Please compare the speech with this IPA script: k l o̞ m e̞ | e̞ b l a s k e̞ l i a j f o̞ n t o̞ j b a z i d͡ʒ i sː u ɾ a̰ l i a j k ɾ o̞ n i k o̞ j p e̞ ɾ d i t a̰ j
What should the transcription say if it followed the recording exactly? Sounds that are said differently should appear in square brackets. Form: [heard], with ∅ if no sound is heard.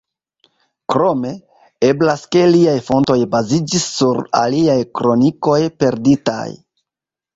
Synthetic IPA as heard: k [ɾ] o̞ m e̞ | e̞ b l a s k e̞ l i a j f o̞ n t o̞ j b a z i d͡ʒ i sː u ɾ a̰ l i a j k ɾ o̞ n i k o̞ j p e̞ ɾ d i t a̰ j